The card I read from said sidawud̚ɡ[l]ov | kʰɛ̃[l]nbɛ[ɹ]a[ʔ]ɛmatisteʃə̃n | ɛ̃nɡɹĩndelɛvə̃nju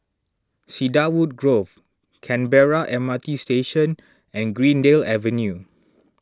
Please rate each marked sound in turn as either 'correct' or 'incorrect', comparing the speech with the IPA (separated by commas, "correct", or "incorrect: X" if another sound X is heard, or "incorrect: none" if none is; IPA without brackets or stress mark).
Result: incorrect: ɹ, incorrect: none, correct, correct